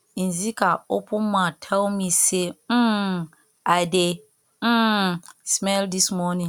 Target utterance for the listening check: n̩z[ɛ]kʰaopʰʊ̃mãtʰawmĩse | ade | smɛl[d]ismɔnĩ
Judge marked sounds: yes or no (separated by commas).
no, yes